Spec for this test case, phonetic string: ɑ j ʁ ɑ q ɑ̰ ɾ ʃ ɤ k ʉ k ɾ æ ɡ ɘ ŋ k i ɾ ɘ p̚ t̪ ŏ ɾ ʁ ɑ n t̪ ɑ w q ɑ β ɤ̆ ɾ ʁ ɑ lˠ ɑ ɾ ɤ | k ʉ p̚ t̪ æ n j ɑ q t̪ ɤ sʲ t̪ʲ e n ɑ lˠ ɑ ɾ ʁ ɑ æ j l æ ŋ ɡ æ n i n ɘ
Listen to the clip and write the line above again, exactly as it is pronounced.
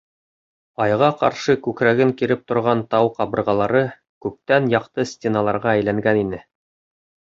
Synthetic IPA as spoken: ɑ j ʁ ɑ q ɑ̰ ɾ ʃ ɤ k ʉ k ɾ æ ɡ ɘ ŋ k i ɾ ɘ p̚ t̪ ŏ ɾ ʁ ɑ n t̪ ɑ w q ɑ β ɤ̆ ɾ ʁ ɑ lˠ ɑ ɾ ɤ | k ʉ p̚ t̪ æ n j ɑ q t̪ ɤ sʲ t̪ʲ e n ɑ lˠ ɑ ɾ ʁ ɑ æ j l æ ŋ ɡ æ n i n ɘ